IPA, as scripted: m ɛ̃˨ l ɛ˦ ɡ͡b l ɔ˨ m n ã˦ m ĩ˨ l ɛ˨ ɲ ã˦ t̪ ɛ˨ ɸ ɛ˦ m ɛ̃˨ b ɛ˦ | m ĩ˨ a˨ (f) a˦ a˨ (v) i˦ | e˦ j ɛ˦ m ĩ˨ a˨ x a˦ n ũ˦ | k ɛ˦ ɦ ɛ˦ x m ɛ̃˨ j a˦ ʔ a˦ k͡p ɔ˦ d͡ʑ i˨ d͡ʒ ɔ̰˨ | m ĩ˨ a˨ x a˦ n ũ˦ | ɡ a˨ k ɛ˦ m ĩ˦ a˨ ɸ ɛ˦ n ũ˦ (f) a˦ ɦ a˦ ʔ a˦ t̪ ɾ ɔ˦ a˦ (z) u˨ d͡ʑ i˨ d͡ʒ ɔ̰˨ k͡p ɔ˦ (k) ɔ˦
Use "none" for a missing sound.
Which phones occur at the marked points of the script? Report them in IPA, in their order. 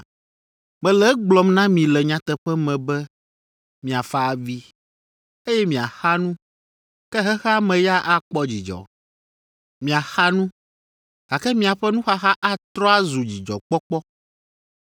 f, v, x, z, k͡p

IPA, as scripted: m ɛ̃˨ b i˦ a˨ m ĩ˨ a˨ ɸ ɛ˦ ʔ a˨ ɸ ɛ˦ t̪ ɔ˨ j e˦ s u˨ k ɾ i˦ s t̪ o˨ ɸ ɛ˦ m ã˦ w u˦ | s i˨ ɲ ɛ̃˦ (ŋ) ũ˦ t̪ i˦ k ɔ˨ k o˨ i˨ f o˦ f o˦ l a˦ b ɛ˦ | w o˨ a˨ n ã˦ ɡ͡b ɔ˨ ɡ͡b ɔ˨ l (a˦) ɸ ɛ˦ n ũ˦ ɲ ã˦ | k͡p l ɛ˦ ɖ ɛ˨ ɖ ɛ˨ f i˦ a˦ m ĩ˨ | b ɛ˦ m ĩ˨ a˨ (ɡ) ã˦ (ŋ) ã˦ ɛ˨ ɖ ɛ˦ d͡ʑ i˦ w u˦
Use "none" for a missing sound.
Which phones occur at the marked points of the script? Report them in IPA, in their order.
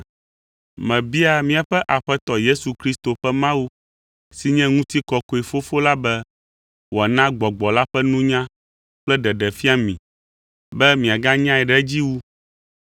ŋ, a˦, ɡ, ɲ

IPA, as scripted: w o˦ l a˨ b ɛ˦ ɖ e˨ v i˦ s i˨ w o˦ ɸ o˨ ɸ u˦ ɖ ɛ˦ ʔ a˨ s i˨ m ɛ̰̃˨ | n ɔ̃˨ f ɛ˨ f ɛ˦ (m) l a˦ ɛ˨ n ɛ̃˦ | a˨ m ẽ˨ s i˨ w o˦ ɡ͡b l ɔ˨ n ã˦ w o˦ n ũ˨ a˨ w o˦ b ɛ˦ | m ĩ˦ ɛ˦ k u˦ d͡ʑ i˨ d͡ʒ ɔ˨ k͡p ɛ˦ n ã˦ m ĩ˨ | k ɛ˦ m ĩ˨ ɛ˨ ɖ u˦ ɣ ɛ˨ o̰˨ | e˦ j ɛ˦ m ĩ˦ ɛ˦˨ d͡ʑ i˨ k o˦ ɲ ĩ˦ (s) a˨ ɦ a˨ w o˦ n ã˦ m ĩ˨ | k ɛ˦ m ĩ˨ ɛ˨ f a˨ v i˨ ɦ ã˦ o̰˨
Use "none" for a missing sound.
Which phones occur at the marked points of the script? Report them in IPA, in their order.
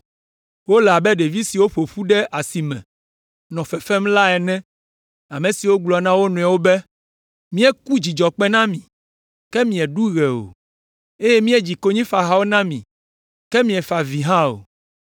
m, f

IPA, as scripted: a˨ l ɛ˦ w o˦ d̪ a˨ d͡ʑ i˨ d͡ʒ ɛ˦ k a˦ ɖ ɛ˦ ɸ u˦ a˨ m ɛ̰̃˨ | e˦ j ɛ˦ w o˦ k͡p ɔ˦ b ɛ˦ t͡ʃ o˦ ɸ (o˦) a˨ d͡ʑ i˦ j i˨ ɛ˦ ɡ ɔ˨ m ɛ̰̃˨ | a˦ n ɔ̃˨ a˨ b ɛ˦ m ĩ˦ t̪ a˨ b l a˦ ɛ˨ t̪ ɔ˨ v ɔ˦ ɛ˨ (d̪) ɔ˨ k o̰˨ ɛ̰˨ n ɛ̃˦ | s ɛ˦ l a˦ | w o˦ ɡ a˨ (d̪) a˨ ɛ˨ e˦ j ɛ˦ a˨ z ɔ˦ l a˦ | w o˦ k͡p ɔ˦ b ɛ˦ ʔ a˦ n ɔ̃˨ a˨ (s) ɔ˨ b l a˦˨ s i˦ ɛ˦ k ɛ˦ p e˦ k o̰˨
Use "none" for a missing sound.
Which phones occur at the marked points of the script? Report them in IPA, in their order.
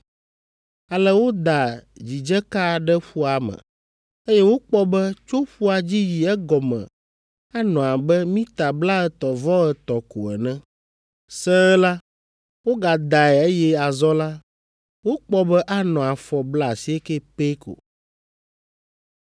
u˦, t̪, d̪, f

